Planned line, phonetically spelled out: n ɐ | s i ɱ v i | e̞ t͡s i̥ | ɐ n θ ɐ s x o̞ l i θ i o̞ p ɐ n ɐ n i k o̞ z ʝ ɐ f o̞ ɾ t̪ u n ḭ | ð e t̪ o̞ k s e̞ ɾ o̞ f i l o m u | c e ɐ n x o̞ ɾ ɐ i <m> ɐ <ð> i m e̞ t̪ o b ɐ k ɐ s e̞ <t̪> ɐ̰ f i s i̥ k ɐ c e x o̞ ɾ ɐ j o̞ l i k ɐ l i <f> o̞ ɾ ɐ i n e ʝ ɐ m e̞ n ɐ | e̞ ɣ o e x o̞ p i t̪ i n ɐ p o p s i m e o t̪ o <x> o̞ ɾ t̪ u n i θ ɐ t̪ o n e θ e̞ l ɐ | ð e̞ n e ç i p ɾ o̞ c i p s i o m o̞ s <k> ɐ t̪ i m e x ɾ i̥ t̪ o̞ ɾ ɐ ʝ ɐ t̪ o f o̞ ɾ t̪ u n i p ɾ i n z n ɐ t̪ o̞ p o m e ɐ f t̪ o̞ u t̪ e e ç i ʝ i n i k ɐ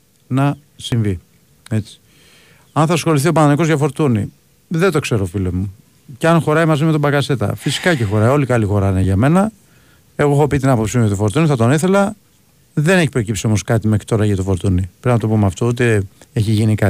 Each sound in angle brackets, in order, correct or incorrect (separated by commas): correct, incorrect, correct, incorrect, incorrect, correct